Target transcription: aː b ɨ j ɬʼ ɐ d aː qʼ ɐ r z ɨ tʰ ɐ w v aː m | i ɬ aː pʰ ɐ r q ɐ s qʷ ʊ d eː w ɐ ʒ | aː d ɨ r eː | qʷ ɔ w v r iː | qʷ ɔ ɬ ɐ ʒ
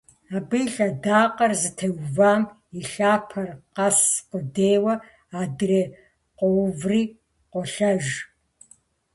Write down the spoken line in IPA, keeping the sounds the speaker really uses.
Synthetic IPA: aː b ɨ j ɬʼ ɐ d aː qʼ ɐ r z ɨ tʰ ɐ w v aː m | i ɬ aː pʰ ɐ r q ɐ s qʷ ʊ d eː w ɐ | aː d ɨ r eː | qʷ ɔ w v r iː | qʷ ɔ ɬ ɐ ʒ